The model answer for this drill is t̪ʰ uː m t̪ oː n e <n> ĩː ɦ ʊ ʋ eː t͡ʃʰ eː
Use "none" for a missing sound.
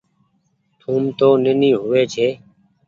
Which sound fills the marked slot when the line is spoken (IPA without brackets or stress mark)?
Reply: n